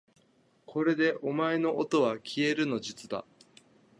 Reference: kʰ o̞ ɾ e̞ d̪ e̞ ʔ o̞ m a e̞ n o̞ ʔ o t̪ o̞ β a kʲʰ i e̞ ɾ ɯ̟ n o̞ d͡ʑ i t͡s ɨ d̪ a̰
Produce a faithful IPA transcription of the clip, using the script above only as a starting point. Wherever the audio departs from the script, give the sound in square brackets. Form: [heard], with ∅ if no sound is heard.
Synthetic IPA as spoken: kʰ o̞ ɾ e̞ d̪ e̞ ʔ o̞ m a e̞ n o̞ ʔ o t̪ o̞ β a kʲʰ i e̞ ɾ ɯ̟ n o̞ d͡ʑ i t͡s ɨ d̪ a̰